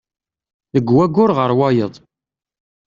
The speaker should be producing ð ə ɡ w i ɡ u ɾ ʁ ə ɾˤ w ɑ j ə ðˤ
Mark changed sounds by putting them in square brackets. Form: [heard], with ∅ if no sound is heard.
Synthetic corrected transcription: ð ə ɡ w [æ] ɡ [ʊ] ɾ ʁ ə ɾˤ w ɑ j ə ðˤ